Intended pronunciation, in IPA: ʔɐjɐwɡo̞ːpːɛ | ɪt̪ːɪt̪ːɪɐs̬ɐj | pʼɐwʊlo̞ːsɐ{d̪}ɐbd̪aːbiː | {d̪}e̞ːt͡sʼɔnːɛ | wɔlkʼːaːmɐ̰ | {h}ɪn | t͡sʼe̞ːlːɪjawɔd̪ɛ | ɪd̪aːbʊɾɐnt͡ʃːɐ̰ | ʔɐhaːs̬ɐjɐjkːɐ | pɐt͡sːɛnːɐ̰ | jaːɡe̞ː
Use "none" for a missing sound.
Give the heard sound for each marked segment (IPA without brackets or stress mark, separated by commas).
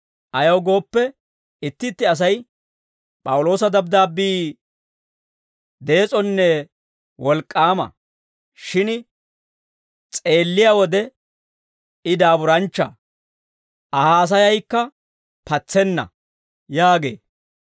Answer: d̪, d̪, ʃ